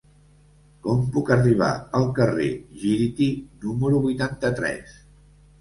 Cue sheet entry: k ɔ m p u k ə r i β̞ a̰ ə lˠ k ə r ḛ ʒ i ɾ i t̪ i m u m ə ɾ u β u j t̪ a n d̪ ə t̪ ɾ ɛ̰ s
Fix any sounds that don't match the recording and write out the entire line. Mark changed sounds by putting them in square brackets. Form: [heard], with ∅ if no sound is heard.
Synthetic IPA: k ɔ m p u k ə r i β̞ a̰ ə lˠ k ə r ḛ ʒ i ɾ i t̪ i [n] u m ə ɾ u β u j t̪ a n [t̪] ə t̪ ɾ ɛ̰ s